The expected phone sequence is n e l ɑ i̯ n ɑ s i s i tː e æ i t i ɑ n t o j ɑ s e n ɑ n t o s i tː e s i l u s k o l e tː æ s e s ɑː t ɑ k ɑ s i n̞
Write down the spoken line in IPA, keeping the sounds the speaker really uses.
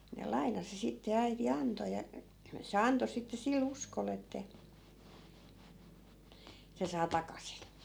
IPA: n e l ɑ i̯ n ɑ s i s i tː e æ i t i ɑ n t o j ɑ s e ɑ n t o s i tː e s i l u s k o l e tː æ s e s ɑː t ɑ k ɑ s i n̞